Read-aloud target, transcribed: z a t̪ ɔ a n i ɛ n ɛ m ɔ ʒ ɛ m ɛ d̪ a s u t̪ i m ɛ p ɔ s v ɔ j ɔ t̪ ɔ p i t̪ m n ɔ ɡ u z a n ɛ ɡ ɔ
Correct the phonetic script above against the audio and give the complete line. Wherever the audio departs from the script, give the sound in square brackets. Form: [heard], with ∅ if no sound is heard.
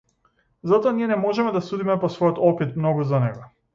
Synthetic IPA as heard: z a t̪ ɔ a n i ɛ n ɛ m ɔ ʒ ɛ m ɛ d̪ a s u [d̪] i m ɛ p ɔ s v ɔ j ɔ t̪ ɔ p i t̪ m n ɔ ɡ u z a n ɛ ɡ ɔ